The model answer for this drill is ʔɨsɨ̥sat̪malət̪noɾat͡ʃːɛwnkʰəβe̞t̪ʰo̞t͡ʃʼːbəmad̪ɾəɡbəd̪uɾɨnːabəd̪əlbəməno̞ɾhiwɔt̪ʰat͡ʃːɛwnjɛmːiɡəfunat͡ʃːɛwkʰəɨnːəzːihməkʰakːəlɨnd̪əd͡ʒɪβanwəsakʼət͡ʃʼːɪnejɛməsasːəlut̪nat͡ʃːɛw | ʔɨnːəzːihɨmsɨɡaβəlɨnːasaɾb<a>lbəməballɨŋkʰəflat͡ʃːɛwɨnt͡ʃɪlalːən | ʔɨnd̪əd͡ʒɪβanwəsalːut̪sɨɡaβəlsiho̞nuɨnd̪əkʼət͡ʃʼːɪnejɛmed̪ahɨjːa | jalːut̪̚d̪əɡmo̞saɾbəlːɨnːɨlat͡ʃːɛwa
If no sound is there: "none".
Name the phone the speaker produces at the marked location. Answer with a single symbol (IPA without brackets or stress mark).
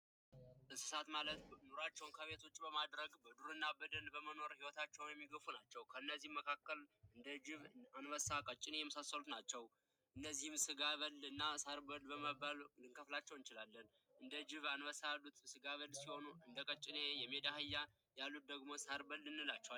ə